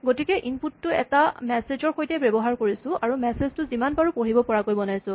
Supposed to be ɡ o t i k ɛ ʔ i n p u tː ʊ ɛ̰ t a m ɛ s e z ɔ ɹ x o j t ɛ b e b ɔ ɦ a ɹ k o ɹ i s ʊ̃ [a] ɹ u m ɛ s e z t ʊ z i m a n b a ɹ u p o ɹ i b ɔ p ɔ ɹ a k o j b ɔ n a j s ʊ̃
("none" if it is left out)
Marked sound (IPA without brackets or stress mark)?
a